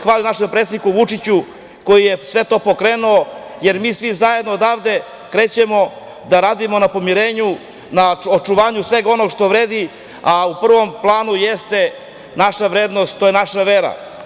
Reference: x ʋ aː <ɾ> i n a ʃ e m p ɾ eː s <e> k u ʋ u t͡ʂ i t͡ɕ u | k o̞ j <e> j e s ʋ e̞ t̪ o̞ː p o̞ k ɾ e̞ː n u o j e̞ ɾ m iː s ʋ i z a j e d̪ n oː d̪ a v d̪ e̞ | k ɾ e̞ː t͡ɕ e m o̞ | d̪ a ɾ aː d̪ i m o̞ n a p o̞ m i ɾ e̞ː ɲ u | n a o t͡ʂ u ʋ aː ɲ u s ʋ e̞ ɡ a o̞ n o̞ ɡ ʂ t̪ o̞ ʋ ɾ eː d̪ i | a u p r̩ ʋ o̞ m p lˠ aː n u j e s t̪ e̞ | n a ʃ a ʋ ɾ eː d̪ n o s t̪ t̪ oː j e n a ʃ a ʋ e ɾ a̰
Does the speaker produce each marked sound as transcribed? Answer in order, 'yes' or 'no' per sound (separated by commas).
no, no, no